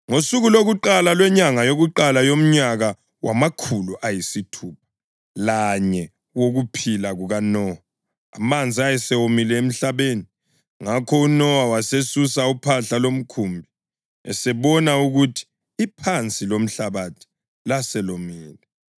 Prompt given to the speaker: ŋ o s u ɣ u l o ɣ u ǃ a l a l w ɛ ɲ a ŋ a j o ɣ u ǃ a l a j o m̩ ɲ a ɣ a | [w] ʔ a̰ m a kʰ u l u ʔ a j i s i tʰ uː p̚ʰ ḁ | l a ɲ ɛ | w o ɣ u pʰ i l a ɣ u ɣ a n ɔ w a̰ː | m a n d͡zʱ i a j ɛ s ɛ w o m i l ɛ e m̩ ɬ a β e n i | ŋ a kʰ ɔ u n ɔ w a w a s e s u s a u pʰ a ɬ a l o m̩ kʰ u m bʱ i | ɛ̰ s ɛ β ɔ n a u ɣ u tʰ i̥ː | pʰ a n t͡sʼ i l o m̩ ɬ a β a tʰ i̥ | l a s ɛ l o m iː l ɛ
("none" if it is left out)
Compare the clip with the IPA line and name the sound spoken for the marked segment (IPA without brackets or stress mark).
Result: w